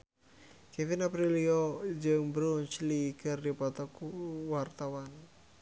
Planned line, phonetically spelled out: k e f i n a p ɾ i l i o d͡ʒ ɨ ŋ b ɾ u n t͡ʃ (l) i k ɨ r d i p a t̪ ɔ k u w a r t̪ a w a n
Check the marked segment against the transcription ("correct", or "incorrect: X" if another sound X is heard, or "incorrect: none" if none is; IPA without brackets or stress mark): correct